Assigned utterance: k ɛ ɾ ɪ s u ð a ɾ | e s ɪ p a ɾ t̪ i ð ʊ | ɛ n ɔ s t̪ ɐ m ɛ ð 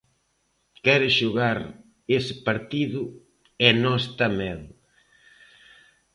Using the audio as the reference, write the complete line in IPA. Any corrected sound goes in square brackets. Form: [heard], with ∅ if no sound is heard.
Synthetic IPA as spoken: k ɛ ɾ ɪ [ʃ] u [ɣ] a ɾ | e s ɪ p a ɾ t̪ i ð ʊ | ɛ n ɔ s t̪ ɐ m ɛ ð